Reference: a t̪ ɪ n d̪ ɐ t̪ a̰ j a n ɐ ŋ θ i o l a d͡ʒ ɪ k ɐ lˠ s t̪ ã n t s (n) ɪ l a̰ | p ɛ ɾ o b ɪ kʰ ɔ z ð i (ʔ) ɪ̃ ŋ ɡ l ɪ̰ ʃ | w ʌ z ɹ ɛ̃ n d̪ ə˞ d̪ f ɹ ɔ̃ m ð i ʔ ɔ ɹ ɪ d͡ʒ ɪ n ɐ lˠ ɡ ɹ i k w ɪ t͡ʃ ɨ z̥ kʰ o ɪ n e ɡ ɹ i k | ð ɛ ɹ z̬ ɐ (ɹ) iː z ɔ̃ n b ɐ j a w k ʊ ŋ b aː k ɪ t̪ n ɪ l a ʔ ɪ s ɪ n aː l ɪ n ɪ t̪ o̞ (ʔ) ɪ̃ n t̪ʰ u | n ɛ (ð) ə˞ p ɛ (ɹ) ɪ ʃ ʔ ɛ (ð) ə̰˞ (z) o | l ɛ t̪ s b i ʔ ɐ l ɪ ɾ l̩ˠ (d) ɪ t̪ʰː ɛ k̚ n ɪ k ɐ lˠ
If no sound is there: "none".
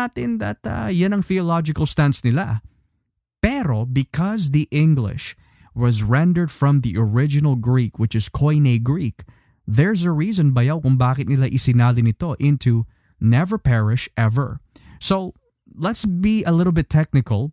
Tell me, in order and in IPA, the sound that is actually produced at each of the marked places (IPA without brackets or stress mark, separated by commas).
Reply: n, ʔ, ɹ, ʔ, v, ɹ, v, s, b